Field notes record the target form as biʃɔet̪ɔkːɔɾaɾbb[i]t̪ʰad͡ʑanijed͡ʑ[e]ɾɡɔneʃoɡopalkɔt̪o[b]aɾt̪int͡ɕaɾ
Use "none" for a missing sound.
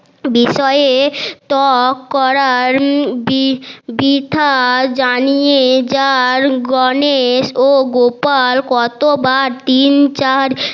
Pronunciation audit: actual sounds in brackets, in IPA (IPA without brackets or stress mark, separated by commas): i, a, b